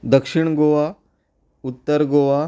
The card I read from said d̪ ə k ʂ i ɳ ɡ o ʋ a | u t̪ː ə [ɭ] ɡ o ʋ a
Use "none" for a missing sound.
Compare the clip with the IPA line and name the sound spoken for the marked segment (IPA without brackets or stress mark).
ɾ